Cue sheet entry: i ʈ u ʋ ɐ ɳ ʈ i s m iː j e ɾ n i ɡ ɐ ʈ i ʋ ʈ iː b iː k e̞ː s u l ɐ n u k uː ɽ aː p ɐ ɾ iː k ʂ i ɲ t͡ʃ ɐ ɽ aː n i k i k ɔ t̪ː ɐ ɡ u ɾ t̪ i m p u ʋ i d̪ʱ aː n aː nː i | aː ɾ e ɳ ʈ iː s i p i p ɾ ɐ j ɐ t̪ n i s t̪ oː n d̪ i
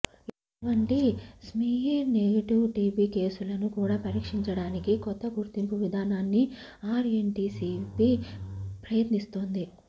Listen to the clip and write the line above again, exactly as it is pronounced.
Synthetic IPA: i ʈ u ʋ ɐ ɳ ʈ i s m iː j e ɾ n e ɡ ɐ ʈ i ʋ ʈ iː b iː k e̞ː s u l ɐ n u k uː ɽ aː p ɐ ɾ iː k ʂ i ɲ t͡ʃ ɐ ɽ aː n i k i k ɔ t̪ː ɐ ɡ u ɾ t̪ i m p u ʋ i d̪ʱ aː n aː nː i | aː ɾ e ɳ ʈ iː s i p i p ɾ ɐ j ɐ t̪ n i s t̪ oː n d̪ i